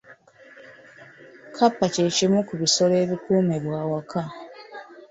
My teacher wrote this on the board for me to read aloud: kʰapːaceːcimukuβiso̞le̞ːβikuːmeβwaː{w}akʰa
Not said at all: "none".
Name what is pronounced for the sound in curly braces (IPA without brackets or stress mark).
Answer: w